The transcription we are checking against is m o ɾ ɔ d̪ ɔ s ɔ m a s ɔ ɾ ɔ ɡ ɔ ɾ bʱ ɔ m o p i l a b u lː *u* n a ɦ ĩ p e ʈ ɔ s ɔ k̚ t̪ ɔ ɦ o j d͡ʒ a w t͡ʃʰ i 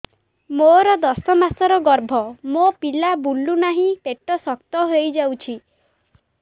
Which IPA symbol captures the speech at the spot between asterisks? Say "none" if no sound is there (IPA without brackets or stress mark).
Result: u